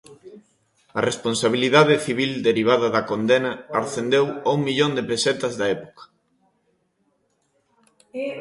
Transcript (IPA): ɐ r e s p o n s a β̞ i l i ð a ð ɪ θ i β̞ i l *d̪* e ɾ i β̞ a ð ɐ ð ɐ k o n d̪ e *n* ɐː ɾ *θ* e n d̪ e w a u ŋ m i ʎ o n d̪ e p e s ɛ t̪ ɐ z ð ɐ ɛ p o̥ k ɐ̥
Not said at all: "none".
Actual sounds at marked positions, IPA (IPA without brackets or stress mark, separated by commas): d̪, n, θ